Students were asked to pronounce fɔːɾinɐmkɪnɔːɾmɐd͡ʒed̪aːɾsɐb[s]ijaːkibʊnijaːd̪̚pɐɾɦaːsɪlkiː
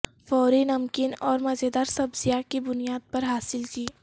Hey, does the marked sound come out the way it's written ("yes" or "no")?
no